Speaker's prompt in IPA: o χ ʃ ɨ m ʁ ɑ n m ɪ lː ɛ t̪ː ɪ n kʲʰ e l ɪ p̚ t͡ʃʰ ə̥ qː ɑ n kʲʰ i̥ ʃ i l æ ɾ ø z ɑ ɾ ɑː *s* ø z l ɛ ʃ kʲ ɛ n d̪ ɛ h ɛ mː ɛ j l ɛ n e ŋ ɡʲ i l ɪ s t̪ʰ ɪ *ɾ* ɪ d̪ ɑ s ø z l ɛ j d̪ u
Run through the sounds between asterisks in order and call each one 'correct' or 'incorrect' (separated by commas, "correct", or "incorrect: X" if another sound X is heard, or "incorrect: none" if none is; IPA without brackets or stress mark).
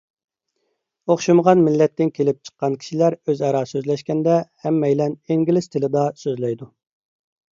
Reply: correct, incorrect: l